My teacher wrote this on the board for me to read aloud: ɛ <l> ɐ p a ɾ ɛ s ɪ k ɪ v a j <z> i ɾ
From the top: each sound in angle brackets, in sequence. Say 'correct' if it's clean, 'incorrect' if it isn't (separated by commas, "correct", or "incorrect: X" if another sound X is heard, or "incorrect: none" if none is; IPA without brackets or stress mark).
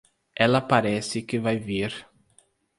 correct, incorrect: v